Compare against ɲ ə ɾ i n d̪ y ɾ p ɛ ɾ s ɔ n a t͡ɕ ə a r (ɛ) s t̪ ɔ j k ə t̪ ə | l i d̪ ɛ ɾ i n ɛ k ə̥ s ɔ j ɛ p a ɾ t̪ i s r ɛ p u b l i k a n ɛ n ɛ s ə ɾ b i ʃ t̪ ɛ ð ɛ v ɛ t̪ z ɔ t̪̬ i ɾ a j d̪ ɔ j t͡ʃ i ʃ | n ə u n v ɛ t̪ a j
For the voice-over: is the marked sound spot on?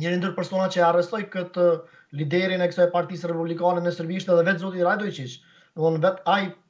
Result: yes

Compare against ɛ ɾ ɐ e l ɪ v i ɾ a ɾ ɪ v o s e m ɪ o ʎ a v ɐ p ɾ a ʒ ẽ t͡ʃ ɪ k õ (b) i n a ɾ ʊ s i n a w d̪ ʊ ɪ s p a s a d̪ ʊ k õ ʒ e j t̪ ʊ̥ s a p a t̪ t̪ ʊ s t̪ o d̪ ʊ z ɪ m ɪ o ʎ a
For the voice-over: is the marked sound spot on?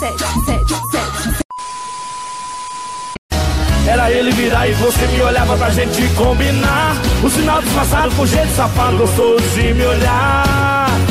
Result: yes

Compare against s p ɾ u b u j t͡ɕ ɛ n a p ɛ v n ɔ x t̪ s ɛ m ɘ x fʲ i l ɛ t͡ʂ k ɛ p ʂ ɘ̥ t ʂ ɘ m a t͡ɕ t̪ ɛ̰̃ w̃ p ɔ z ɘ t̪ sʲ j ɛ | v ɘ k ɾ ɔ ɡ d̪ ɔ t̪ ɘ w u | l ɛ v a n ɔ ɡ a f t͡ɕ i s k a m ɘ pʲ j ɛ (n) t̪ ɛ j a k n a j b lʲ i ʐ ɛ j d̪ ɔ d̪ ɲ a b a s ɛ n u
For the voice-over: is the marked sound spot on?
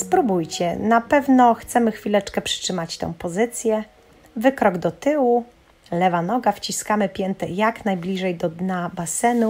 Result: yes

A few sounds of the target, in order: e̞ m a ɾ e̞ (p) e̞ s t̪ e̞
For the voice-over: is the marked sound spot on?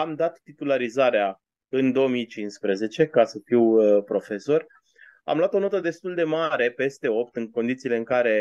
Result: yes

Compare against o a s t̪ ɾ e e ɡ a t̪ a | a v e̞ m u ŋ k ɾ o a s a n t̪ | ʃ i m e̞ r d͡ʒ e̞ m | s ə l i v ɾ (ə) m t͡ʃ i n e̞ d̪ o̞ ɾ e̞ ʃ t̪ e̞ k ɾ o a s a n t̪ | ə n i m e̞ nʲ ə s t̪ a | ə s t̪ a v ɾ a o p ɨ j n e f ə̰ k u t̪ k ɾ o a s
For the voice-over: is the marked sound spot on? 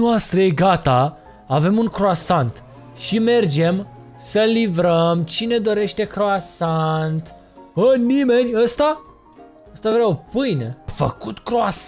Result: yes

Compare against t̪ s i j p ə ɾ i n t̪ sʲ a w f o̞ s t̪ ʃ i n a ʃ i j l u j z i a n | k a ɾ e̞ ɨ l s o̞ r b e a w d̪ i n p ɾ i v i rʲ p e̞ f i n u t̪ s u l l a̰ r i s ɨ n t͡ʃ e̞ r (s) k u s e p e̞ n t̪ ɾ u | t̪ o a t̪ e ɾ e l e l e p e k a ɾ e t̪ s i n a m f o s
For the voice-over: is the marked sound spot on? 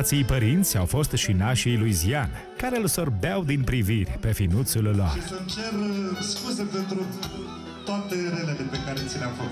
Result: yes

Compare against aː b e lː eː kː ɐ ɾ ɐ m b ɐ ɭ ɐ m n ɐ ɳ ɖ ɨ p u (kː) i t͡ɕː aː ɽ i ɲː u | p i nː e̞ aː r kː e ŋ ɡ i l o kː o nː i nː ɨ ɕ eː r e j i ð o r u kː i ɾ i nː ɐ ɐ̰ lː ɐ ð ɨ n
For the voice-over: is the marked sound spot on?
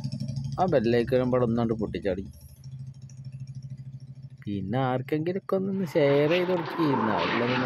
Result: no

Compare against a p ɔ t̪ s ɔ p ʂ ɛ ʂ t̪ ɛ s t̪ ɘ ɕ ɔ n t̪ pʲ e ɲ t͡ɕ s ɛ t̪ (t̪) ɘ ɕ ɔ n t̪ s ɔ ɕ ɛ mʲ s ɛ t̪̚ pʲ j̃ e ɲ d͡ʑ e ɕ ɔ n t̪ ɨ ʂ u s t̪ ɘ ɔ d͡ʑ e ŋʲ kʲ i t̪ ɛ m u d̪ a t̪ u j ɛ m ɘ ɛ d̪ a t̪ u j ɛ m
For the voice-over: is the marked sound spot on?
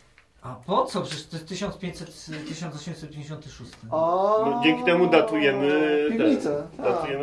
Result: yes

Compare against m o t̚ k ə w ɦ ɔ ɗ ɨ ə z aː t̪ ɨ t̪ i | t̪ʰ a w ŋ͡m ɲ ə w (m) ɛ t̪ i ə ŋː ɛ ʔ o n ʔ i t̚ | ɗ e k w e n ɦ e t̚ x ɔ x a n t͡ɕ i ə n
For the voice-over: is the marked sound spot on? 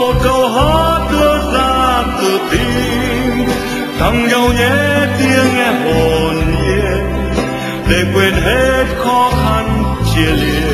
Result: no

